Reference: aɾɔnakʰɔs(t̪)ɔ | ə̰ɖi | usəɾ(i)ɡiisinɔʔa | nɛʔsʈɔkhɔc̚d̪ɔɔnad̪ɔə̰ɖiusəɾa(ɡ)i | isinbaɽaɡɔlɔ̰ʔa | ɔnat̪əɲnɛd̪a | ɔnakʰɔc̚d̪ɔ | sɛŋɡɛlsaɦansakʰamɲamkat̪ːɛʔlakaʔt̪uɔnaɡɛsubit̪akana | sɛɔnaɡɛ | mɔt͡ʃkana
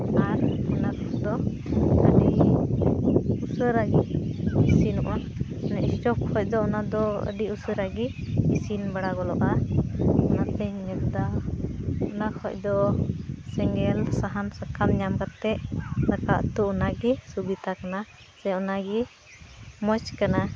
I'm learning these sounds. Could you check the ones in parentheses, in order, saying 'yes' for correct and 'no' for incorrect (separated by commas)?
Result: no, no, yes